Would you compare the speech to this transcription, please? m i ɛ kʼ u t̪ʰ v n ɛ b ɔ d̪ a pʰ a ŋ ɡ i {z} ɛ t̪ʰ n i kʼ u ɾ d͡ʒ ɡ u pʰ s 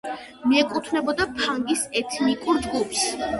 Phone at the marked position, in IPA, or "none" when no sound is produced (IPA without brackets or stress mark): s